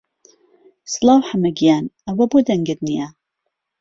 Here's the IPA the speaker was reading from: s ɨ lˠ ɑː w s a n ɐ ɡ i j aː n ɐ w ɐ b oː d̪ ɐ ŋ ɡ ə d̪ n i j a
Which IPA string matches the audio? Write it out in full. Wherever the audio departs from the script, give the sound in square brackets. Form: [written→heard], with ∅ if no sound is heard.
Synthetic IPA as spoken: s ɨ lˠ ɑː w [s→ħ] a [n→m] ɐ ɡ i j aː n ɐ w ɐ b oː d̪ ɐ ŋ ɡ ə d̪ n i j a